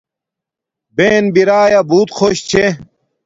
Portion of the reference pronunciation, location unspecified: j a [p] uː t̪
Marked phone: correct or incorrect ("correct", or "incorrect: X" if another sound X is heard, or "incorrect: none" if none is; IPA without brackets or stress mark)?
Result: incorrect: b